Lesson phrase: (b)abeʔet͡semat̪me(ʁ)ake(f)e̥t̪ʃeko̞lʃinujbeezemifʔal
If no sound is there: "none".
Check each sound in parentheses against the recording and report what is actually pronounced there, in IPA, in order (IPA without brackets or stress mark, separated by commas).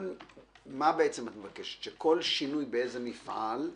m, v, ʃ